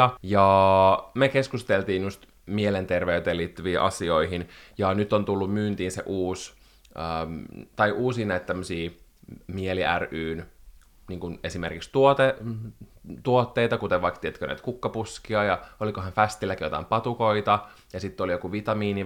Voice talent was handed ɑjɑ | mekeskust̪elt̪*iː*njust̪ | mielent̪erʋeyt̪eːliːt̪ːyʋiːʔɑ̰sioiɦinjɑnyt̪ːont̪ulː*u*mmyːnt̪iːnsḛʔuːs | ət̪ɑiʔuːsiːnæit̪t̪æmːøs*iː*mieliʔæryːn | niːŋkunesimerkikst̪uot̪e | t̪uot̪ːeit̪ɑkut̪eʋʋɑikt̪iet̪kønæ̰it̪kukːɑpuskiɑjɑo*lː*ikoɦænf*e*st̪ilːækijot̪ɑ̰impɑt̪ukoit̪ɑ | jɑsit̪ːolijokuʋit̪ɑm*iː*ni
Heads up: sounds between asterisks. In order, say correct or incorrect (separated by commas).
correct, correct, correct, incorrect, incorrect, correct